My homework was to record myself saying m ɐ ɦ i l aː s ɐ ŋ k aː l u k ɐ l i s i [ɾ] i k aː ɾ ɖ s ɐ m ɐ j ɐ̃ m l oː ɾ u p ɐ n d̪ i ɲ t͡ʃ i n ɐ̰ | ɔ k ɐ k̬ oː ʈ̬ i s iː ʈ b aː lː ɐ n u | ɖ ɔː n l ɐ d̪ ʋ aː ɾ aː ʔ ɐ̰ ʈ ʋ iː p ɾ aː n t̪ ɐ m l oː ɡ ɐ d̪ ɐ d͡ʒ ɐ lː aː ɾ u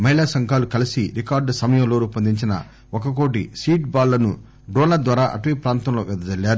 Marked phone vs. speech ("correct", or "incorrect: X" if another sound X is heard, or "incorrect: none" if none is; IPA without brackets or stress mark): correct